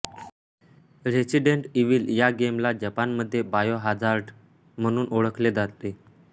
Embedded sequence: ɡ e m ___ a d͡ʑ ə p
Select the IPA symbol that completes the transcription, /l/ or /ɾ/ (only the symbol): l